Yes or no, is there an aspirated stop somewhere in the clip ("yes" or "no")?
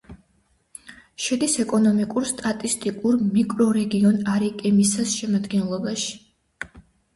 no